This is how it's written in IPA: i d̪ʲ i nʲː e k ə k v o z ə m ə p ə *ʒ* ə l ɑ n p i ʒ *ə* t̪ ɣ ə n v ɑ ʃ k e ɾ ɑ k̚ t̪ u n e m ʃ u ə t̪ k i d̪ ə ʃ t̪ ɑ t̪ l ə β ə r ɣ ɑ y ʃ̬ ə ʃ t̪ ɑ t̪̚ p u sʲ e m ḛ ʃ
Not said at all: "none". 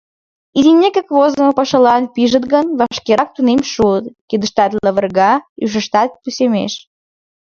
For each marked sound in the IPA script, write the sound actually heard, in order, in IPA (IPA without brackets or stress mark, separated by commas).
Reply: ʃ, ə